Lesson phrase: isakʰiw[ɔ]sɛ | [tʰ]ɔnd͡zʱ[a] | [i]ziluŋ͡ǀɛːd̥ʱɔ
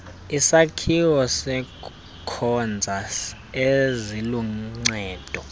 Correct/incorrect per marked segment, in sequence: correct, incorrect, correct, incorrect

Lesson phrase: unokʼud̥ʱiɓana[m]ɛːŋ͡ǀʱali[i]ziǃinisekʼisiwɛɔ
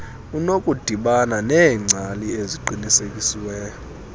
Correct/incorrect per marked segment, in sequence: incorrect, incorrect

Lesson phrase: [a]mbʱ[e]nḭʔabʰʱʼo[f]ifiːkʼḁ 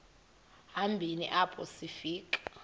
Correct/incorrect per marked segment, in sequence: correct, incorrect, incorrect

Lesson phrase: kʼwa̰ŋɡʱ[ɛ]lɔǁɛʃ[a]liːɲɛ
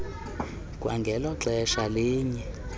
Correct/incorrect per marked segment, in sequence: correct, correct

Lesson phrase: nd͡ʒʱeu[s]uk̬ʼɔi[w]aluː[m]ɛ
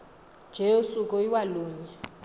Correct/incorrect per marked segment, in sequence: correct, correct, incorrect

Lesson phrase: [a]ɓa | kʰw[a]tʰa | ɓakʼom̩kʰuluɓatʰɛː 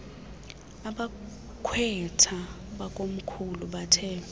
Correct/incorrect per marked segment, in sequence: correct, incorrect

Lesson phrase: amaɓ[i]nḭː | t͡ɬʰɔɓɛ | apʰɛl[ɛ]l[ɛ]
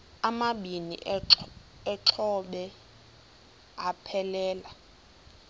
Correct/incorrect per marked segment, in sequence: correct, incorrect, incorrect

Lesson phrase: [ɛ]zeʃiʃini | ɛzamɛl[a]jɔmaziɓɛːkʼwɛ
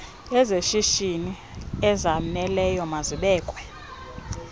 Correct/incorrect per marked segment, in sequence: correct, incorrect

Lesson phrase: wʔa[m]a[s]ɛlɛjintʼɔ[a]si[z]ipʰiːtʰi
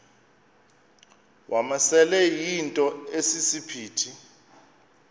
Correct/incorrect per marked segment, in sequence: correct, correct, incorrect, incorrect

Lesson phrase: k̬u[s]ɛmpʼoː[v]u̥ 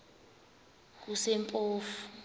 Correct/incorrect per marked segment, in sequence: correct, incorrect

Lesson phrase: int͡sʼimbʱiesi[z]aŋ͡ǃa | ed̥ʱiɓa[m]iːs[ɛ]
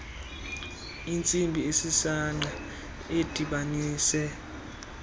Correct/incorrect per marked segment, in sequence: incorrect, incorrect, correct

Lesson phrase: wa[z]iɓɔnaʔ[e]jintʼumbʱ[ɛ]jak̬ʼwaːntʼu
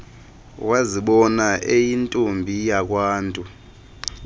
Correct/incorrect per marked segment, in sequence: correct, correct, incorrect

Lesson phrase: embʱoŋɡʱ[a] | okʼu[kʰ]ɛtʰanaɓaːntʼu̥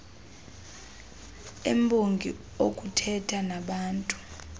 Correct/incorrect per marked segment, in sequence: incorrect, incorrect

